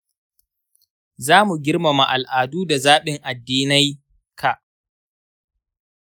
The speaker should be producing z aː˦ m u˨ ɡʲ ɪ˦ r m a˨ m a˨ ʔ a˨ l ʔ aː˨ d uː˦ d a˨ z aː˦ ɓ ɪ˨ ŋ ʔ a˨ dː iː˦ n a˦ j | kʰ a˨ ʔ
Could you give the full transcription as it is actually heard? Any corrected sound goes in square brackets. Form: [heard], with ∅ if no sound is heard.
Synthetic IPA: z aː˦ m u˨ ɡʲ ɪ˦ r m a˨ m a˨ ʔ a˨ l ʔ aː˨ d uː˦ d a˨ z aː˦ ɓ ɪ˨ ŋ ʔ a˨ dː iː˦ n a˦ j | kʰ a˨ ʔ